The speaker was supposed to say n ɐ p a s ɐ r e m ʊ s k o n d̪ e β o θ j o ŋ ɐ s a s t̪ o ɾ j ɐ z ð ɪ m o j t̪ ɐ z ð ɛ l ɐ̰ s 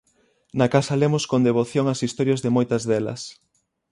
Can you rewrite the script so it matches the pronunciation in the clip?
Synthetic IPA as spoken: n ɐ k a s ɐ l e m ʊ s k o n d̪ e β o θ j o ŋ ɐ s i s t̪ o ɾ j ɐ z ð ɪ m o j t̪ ɐ z ð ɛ l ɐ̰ s